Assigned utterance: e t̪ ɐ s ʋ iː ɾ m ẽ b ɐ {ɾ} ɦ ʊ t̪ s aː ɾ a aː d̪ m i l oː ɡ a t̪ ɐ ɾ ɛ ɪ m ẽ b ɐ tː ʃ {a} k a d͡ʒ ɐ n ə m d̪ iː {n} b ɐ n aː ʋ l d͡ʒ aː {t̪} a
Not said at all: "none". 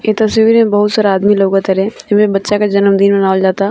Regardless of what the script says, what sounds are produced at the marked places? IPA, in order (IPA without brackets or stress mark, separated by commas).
none, a, n, t̪